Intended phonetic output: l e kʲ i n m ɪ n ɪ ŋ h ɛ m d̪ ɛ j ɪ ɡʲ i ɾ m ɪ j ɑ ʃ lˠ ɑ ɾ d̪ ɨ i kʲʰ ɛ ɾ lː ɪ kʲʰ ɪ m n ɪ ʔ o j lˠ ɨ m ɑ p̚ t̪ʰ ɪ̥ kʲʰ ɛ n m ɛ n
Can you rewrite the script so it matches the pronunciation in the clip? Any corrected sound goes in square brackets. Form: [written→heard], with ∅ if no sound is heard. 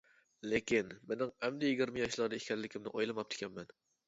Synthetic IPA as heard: l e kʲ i n m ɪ n ɪ ŋ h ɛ m d̪ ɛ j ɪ ɡʲ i ɾ m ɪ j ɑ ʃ lˠ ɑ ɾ d̪ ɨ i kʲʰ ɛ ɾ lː ɪ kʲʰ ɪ m n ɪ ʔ o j lˠ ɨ m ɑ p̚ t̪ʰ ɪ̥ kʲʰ ɛ n m ɛ n